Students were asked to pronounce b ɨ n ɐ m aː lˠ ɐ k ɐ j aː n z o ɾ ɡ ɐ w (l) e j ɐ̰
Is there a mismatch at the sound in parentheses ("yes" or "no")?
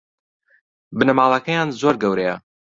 yes